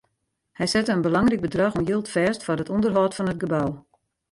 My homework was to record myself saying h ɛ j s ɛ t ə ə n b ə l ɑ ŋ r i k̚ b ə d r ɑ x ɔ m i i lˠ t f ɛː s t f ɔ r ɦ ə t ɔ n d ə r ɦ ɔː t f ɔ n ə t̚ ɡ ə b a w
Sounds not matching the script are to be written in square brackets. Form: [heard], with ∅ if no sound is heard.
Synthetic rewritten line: h ɛ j s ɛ t ə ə n b ə l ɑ ŋ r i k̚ b ə d r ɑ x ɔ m [j] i lˠ t f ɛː s t f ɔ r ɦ ə t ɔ n d ə r ɦ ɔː t f ɔ n ə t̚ ɡ ə b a w